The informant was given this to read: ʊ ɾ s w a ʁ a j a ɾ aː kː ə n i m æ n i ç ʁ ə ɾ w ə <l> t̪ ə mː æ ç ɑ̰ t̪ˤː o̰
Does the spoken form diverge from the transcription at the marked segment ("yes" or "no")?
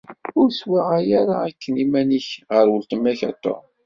no